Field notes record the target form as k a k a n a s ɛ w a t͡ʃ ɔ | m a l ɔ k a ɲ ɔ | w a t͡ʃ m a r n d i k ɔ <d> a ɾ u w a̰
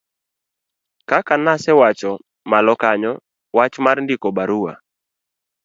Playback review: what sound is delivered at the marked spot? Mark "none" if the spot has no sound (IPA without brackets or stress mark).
b